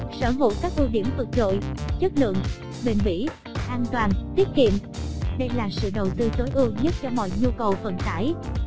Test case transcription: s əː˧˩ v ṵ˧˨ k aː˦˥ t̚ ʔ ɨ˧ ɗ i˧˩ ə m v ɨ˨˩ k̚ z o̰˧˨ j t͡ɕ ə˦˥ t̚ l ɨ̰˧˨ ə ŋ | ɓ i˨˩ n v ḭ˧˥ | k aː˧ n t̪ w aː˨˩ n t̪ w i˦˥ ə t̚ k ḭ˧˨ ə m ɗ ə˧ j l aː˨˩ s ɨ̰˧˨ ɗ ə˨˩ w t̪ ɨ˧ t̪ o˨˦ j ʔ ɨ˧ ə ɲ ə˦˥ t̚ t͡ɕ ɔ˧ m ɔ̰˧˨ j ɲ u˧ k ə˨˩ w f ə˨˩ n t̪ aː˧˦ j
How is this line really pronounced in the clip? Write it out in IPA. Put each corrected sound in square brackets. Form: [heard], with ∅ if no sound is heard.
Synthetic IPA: s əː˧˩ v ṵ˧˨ k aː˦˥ [k̚] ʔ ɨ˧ ɗ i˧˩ ə m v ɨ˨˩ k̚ z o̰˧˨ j t͡ɕ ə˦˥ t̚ l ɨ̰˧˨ ə ŋ | ɓ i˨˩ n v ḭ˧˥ | [ʔ] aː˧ n t̪ w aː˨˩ n t̪ w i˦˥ ə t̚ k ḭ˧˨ ə m ɗ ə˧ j l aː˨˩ s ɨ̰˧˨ ɗ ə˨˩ w t̪ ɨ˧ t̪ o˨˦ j ʔ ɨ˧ ə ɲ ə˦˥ t̚ t͡ɕ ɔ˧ m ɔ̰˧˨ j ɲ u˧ k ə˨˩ w f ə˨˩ n t̪ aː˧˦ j